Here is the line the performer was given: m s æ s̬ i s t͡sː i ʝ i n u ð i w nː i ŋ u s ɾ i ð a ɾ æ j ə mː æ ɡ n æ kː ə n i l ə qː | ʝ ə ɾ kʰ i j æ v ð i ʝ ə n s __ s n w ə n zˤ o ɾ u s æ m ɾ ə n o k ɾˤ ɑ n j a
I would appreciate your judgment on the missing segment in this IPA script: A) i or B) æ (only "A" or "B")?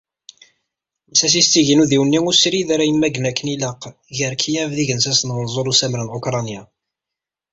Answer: B